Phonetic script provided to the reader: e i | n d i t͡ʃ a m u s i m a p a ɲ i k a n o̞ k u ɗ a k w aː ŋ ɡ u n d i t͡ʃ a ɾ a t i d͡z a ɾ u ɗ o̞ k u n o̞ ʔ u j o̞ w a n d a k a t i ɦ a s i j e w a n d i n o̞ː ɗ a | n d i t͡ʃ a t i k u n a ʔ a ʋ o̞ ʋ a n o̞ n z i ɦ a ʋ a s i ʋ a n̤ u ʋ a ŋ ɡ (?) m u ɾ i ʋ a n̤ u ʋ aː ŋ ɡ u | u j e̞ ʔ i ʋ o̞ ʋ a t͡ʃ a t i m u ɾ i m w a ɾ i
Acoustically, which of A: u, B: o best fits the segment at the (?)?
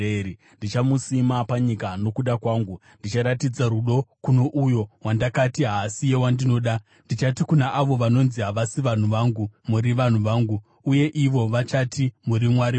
A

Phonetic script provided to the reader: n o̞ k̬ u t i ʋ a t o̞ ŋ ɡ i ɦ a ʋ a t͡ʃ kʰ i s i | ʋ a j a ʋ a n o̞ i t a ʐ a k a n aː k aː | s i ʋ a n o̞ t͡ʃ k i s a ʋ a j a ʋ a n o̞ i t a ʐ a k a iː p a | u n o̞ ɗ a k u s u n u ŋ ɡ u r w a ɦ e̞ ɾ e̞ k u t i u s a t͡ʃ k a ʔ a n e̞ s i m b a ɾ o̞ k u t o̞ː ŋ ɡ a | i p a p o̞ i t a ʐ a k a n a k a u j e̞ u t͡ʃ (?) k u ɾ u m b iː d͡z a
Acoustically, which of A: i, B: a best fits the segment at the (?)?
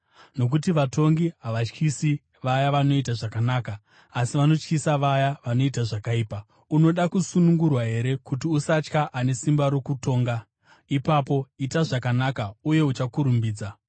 B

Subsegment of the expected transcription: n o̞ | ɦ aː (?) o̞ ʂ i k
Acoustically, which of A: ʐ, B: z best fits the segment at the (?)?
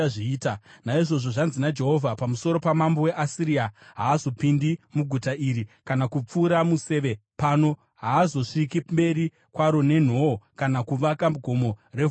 B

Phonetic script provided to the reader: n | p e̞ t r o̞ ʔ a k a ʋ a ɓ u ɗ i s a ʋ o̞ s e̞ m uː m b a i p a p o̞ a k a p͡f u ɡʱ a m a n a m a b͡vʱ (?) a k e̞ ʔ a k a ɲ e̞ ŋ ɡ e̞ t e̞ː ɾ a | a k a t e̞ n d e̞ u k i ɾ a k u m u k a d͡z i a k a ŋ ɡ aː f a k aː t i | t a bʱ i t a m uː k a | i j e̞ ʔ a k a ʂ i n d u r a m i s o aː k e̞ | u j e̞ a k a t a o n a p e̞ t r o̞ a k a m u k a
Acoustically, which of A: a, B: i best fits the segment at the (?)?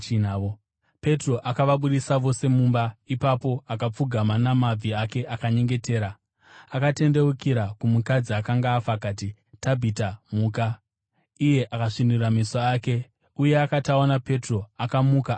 B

